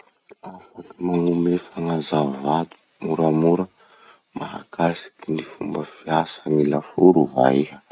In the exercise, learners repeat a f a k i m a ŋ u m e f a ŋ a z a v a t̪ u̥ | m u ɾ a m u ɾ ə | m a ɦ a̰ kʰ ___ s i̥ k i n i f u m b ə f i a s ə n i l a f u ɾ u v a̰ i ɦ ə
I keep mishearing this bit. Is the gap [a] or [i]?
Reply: a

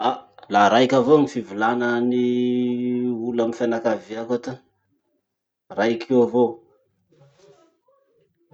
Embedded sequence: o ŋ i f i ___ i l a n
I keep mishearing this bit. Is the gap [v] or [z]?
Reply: v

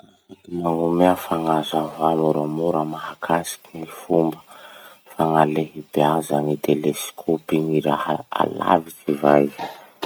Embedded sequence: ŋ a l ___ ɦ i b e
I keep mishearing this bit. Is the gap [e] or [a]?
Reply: e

